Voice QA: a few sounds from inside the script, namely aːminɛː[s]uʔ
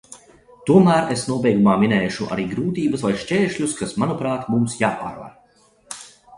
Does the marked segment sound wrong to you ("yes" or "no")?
yes